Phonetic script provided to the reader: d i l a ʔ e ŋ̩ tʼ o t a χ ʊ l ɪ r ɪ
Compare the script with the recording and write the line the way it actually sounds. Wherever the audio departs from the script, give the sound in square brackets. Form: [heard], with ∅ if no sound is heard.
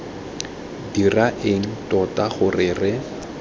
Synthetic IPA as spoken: d i [r] a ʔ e ŋ̩ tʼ [ɔ] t a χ ʊ [r] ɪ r ɪ